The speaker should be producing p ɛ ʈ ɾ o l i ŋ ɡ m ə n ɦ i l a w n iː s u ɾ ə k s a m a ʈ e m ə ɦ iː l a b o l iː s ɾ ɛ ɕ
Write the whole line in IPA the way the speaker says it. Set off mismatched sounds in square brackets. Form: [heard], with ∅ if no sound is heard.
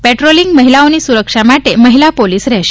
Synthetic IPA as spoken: p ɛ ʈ ɾ o l i ŋ ɡ m ə [∅] ɦ i l a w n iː s u ɾ ə k [ʂ] a m a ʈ e m ə ɦ [i] l a [p] o l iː s ɾ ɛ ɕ